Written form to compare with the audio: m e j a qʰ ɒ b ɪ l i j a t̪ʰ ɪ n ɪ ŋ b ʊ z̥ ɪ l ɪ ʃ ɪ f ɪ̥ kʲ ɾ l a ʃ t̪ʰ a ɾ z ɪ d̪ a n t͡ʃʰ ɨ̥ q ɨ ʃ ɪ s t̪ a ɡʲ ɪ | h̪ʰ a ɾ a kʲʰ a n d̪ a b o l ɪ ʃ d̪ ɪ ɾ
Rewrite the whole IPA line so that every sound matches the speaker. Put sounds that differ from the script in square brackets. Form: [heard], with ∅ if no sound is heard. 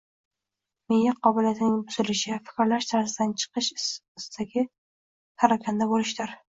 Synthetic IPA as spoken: m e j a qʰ ɒ b ɪ l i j a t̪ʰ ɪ n ɪ ŋ b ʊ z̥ ɪ l ɪ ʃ ɪ f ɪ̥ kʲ ɾ l a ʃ t̪ʰ a ɾ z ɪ d̪ a n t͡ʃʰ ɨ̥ q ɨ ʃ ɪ s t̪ a ɡʲ ɪ | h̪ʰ a ɾ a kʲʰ a n d̪ a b o l ɪ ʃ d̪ ɪ ɾ

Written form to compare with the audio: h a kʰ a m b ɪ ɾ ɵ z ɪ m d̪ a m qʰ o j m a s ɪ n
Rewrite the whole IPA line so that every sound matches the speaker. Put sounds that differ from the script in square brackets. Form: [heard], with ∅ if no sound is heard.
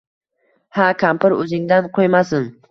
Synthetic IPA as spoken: h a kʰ a m [p] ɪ ɾ ɵ z ɪ [ŋ] d̪ a [n] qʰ o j m a s ɪ n

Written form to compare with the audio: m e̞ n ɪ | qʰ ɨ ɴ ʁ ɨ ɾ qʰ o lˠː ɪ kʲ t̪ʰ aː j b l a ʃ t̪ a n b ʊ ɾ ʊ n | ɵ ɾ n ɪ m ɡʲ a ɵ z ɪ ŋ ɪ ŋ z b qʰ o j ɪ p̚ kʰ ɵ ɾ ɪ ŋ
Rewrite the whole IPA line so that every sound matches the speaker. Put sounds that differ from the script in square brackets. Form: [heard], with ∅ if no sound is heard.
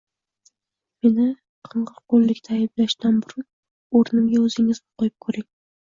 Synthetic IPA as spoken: m e̞ n ɪ | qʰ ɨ ɴ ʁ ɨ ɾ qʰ o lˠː ɪ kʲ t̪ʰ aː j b l a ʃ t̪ a n b ʊ ɾ ʊ n | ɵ ɾ n ɪ m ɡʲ a ɵ z ɪ ŋ ɪ [∅] z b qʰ o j ɪ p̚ kʰ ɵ ɾ ɪ ŋ

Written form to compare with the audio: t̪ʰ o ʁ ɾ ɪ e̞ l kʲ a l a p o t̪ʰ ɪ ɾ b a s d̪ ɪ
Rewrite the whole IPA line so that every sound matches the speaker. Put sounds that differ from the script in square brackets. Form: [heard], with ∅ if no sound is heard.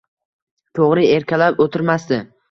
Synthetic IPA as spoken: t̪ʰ o ʁ ɾ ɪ e̞ [ɾ] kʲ a l a p o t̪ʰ ɪ ɾ [m] a s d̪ ɪ

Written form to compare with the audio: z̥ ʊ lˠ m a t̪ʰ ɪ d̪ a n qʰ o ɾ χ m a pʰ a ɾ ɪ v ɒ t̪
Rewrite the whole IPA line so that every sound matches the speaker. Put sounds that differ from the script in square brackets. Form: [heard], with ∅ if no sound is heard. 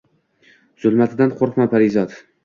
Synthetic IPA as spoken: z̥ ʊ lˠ m a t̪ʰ ɪ d̪ a n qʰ o ɾ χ m a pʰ a ɾ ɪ [z] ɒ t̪

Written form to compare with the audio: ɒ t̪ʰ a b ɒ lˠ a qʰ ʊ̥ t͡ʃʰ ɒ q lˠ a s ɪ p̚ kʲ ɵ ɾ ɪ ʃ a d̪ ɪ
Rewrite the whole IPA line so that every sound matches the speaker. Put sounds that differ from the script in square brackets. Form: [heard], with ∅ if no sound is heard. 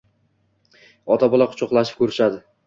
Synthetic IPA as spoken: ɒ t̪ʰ a b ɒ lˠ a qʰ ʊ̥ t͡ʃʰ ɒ q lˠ a [ʃ] ɪ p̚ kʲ ɵ ɾ ɪ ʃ a d̪ ɪ

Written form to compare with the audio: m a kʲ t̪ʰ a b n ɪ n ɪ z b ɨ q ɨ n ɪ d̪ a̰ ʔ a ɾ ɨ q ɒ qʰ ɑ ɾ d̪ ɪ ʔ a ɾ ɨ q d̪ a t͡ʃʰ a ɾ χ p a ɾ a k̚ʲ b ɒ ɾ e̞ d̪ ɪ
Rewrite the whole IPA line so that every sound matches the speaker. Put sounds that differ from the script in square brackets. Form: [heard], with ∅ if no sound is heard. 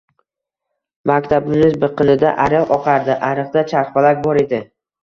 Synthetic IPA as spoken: m a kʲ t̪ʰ a b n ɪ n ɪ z b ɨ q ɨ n ɪ d̪ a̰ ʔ a ɾ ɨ q ɒ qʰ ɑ ɾ d̪ ɪ ʔ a ɾ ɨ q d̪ a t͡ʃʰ a ɾ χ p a [l] a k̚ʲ b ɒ ɾ e̞ d̪ ɪ

